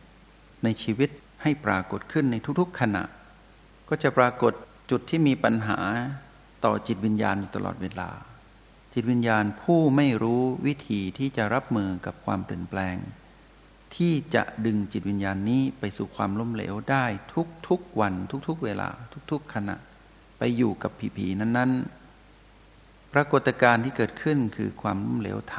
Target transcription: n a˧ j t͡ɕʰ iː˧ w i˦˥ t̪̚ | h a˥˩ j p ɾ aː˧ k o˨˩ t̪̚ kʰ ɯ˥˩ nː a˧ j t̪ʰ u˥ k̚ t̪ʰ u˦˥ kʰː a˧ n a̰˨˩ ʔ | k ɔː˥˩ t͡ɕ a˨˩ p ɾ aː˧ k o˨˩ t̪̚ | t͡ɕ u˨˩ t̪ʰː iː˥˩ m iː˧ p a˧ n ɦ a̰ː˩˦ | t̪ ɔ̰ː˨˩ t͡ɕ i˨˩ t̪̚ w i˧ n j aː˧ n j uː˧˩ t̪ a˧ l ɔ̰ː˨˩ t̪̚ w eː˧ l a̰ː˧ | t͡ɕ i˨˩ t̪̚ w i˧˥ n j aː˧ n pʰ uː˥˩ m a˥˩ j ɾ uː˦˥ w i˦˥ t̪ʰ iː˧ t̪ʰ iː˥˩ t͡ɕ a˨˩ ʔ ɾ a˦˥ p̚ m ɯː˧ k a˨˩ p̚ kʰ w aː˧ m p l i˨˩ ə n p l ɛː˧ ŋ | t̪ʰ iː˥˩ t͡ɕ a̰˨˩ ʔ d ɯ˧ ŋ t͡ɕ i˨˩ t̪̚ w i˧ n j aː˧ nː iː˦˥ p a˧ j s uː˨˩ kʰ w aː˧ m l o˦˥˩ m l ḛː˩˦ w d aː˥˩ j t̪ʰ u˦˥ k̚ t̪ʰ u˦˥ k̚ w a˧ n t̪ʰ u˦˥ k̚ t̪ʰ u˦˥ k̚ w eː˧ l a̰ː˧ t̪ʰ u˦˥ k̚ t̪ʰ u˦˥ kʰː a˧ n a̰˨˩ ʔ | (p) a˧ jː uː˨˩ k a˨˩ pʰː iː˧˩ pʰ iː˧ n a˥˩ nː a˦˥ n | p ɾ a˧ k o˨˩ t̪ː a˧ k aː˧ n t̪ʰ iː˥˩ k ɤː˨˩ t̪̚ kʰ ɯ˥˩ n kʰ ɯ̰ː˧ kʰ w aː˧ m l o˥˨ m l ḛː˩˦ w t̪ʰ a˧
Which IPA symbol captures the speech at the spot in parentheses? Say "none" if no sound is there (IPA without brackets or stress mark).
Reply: p